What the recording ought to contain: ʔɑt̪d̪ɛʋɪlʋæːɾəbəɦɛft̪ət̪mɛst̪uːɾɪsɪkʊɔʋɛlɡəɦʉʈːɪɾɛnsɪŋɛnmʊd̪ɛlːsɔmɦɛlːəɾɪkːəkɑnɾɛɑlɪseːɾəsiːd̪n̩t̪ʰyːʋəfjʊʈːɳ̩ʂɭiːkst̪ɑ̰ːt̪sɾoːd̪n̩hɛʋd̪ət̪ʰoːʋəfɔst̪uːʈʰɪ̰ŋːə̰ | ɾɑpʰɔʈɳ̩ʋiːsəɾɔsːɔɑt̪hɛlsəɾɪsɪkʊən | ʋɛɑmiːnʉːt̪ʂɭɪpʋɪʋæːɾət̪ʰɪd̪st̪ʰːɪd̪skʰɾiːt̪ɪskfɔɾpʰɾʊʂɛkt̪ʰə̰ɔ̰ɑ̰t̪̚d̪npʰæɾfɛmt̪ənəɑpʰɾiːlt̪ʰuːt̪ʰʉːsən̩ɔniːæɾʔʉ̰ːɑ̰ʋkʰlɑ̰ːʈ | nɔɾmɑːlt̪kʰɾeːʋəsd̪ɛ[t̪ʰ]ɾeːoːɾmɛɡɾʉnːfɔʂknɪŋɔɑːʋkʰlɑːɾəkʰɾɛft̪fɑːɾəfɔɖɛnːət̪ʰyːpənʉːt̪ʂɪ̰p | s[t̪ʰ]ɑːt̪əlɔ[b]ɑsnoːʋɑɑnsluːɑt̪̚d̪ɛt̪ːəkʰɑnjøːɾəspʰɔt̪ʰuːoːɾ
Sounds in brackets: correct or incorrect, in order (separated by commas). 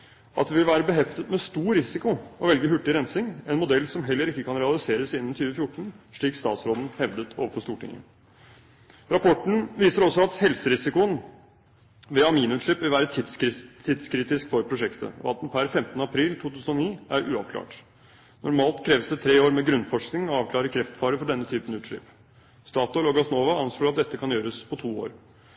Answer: correct, incorrect, incorrect